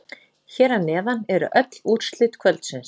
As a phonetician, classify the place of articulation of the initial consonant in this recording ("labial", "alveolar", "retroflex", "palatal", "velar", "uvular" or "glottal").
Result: palatal